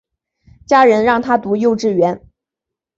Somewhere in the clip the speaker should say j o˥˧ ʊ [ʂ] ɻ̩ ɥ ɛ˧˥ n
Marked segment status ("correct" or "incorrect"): incorrect